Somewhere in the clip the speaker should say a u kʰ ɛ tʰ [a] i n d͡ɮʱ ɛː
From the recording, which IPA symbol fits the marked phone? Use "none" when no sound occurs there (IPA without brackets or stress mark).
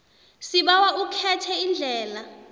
ɛ